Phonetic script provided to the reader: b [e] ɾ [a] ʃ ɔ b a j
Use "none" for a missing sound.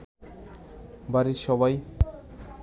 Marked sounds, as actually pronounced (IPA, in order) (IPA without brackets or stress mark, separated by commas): a, i